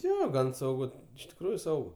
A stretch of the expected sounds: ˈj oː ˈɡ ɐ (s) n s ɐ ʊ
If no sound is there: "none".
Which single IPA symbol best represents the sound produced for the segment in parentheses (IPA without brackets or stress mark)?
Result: none